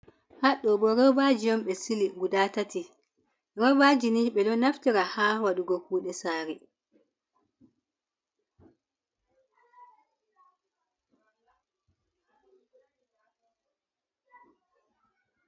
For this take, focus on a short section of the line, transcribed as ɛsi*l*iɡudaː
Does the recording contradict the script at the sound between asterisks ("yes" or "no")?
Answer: no